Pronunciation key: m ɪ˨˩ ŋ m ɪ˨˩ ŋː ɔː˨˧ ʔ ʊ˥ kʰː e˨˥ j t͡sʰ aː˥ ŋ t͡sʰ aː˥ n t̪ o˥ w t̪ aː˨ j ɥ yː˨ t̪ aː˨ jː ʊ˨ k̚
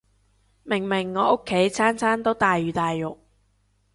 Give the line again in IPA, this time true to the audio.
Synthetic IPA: m ɪ˨˩ ŋ m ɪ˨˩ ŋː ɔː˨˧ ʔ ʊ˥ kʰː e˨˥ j t͡sʰ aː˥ n t͡sʰ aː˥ n t̪ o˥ w t̪ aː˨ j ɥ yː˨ t̪ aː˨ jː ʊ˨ k̚